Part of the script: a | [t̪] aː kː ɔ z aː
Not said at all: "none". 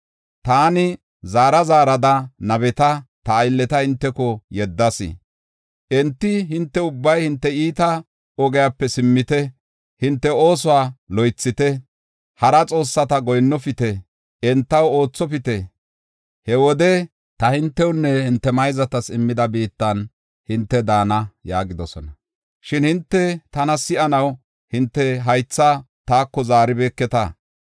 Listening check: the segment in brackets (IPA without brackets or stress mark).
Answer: t̪